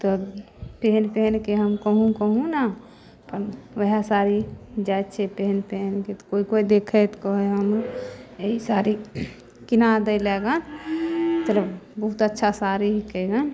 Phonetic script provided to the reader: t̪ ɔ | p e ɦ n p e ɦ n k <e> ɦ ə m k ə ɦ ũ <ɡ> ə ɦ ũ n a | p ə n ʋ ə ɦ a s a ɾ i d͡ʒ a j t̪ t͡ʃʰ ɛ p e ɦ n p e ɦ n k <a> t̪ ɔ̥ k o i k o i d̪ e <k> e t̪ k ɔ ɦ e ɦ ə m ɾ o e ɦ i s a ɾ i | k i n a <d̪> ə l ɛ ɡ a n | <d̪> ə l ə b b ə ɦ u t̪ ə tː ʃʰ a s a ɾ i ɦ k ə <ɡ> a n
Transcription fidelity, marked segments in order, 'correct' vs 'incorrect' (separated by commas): correct, incorrect, incorrect, incorrect, correct, incorrect, correct